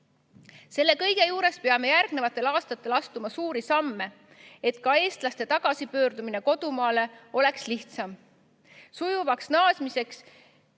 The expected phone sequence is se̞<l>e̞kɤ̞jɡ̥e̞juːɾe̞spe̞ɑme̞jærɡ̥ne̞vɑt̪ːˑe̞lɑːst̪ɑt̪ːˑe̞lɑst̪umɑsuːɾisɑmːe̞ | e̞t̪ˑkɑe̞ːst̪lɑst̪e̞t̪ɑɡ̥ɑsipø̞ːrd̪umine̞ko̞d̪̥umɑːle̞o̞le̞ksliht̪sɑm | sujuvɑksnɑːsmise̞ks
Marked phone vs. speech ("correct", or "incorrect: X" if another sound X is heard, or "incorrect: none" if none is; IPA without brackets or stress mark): incorrect: lː